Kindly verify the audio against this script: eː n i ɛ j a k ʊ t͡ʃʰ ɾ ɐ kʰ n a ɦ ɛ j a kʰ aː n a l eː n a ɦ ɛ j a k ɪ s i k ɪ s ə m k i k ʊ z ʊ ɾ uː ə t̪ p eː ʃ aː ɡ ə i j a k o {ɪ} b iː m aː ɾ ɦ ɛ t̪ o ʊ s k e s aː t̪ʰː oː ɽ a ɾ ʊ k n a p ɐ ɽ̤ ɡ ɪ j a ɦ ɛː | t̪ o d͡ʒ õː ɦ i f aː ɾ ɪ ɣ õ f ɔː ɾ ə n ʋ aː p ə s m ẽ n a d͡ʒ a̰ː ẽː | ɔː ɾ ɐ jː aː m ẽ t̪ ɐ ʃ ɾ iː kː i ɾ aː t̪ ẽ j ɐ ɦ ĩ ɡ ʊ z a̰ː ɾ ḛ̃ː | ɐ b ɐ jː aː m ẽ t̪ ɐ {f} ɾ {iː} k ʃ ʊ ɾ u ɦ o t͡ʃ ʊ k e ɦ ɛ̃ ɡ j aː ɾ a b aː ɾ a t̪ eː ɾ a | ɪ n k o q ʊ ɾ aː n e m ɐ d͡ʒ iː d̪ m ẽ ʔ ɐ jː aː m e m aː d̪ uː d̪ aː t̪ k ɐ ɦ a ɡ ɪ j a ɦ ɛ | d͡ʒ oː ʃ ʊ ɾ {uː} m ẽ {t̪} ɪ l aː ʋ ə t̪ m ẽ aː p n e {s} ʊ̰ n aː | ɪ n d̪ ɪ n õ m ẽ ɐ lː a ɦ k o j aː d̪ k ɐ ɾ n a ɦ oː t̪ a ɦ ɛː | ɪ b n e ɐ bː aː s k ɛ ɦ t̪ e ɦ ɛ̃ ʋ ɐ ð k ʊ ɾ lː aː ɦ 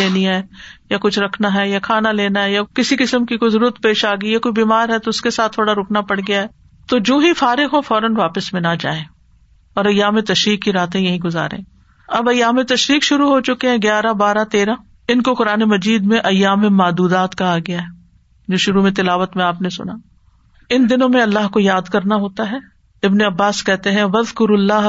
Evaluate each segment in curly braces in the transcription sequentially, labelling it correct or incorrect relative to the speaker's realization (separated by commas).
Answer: incorrect, incorrect, correct, incorrect, correct, correct